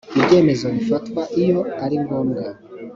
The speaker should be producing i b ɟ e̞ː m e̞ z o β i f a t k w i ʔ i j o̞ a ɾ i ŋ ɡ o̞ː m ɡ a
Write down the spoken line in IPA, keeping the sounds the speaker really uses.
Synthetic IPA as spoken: i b ɟ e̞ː m e̞ z o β i f a t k w a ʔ i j o̞ a ɾ i ŋ ɡ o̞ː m ɡ a